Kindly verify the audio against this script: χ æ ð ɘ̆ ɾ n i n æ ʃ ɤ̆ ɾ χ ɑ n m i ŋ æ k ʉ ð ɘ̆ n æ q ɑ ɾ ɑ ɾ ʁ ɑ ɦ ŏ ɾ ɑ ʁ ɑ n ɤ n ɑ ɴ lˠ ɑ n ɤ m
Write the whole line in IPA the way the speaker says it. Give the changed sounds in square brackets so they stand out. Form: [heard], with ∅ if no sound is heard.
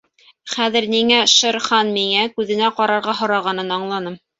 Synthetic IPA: χ æ ð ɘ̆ ɾ n i [ŋ] æ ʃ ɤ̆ ɾ χ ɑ n m i ŋ æ k ʉ ð ɘ̆ n æ q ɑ ɾ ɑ ɾ ʁ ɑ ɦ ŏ ɾ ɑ ʁ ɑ n ɤ n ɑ ɴ lˠ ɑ n ɤ m